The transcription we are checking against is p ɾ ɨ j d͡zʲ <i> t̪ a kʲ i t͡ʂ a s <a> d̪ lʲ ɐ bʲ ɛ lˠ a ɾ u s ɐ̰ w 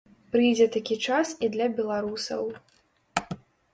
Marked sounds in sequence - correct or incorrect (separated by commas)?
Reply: incorrect, incorrect